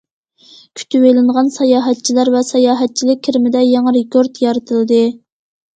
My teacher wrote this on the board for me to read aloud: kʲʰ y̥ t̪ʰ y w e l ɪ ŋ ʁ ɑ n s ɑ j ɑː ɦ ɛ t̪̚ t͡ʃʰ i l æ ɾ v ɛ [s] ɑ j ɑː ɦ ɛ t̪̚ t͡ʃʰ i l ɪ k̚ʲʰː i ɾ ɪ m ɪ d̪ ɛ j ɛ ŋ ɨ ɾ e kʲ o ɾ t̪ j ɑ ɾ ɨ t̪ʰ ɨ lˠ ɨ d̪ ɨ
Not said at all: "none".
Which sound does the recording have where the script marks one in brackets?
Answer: s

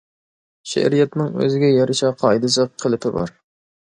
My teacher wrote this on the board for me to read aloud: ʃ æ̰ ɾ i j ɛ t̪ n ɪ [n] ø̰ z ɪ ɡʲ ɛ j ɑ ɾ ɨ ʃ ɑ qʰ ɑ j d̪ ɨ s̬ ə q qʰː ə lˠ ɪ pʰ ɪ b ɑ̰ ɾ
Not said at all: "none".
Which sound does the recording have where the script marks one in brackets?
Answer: ŋ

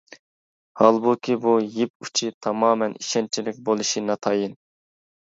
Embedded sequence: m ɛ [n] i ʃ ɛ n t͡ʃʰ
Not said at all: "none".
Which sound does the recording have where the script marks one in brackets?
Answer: n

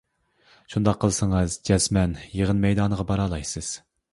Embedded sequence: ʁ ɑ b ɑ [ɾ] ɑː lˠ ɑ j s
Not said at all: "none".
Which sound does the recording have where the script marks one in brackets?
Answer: ɾ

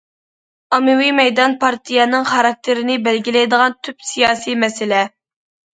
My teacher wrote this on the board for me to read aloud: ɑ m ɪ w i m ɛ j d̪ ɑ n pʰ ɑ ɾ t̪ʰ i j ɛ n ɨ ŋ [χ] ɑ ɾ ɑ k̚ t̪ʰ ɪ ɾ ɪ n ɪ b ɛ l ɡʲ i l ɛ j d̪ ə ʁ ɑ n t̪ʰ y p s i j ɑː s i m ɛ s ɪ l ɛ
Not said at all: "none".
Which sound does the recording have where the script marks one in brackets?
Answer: χ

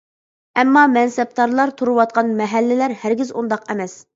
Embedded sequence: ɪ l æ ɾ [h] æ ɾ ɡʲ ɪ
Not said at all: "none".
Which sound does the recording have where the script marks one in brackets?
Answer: h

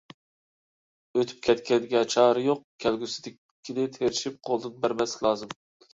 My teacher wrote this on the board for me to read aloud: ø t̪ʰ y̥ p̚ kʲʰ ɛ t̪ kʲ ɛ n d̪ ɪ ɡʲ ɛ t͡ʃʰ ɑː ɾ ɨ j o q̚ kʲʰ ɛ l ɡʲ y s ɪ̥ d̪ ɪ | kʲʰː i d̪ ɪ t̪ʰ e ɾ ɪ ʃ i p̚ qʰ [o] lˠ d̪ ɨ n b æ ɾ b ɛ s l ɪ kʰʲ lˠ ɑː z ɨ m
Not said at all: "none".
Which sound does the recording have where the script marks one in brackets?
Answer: o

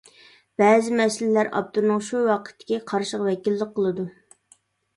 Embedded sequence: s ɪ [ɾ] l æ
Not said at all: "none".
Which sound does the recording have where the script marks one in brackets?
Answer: l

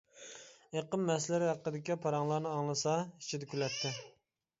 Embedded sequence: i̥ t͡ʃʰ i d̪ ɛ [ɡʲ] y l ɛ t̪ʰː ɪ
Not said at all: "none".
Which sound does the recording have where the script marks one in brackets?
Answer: kʲ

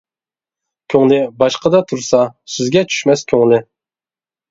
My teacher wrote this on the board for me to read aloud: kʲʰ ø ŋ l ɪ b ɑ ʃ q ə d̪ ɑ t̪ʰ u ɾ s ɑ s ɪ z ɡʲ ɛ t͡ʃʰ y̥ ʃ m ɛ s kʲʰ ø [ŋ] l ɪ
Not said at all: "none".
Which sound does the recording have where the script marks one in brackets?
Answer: ŋ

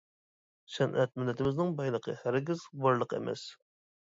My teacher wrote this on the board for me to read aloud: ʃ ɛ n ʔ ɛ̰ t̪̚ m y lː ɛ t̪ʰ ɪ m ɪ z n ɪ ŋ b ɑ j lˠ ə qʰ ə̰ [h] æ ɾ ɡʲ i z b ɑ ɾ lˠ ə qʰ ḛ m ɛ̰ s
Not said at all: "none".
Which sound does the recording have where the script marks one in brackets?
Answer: h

